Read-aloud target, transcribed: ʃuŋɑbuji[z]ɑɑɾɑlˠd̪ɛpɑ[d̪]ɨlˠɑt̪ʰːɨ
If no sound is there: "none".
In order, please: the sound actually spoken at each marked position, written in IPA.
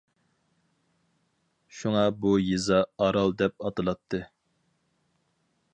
z, t̪

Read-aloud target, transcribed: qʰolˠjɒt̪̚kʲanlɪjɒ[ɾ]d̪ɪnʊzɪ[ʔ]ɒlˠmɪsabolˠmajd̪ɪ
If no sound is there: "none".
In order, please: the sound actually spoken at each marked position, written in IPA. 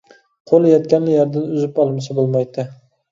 ɾ, p

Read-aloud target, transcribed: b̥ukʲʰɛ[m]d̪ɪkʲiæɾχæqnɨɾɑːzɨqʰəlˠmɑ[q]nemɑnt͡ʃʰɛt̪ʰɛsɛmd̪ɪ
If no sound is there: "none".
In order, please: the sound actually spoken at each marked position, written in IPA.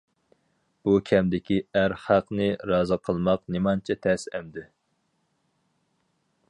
m, q

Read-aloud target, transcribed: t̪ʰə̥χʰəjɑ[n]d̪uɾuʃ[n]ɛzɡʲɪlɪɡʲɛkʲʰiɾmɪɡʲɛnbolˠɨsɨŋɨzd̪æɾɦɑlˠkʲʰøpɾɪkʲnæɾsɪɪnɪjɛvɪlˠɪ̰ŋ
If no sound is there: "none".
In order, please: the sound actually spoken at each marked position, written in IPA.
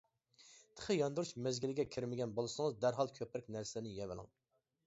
n, m

